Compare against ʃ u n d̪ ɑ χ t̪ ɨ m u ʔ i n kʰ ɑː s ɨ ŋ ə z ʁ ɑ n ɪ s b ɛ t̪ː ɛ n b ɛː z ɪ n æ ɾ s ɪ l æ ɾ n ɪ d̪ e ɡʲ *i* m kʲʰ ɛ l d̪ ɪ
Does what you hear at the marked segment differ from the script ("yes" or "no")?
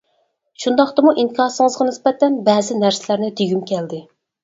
yes